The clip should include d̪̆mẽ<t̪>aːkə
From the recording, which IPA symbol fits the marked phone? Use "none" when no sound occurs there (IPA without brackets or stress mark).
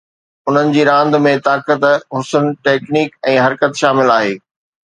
t̪